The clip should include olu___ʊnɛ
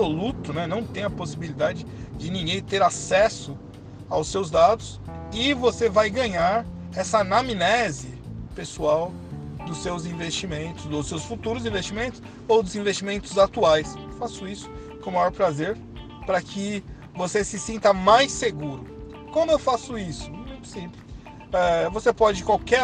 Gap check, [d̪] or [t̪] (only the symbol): t̪